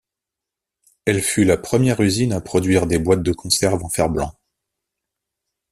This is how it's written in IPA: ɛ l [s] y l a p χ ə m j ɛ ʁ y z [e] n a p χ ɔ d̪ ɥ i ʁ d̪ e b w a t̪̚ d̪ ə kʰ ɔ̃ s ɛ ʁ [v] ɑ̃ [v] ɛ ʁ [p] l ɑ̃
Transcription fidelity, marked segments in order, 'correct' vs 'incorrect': incorrect: f, incorrect: i, correct, incorrect: f, incorrect: b

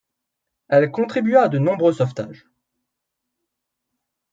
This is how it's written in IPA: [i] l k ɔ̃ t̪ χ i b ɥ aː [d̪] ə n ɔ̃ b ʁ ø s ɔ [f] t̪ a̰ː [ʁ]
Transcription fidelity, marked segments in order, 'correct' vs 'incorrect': incorrect: ɛ, correct, correct, incorrect: ʒ

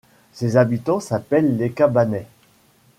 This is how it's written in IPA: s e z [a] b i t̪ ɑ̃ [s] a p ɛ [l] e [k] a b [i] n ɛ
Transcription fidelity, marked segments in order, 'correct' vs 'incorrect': correct, correct, incorrect: lː, correct, incorrect: a

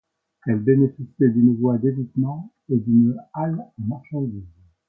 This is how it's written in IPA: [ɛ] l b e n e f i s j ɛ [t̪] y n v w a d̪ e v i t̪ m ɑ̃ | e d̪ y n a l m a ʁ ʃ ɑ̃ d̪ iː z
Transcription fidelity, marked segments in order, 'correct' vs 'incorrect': correct, incorrect: d̪

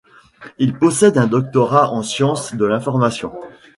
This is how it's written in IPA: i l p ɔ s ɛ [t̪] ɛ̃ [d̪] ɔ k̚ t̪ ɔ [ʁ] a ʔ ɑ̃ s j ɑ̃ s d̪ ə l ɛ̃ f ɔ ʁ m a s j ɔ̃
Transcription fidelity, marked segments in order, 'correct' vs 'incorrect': incorrect: d̪, correct, correct

